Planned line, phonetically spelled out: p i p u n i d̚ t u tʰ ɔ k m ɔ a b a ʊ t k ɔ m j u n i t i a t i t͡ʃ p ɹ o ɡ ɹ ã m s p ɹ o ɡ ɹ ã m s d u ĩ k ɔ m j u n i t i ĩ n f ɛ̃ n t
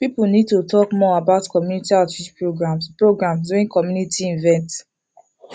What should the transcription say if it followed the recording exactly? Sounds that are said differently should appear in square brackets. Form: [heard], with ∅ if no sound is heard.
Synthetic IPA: p i p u n i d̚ t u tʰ ɔ k m ɔ a b a ʊ t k ɔ m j u n i t i a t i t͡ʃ p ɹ o ɡ ɹ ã m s p ɹ o ɡ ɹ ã m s d u ĩ k ɔ m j u n i t i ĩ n [v] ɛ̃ n t